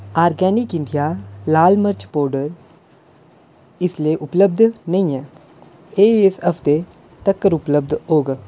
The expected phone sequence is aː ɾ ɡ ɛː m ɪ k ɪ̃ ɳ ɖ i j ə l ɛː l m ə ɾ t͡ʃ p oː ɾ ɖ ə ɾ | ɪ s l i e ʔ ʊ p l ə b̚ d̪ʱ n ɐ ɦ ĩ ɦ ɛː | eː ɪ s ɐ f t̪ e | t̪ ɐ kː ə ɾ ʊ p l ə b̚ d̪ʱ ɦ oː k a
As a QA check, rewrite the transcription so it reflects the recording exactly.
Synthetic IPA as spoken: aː ɾ ɡ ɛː n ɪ k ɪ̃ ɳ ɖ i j a l aː l m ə ɾ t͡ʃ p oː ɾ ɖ ə ɾ | ɪ s l i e ʔ ʊ p l ə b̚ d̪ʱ n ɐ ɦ ĩ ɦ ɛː | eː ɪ s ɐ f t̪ e | t̪ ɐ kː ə ɾ ʊ p l ə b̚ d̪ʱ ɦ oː ɡ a